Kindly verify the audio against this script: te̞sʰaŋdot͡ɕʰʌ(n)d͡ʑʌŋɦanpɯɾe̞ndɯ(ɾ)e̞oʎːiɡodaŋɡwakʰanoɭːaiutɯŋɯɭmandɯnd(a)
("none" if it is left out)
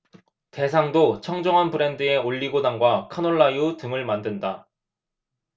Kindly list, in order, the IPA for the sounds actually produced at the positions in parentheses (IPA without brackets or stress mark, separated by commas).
ŋ, none, a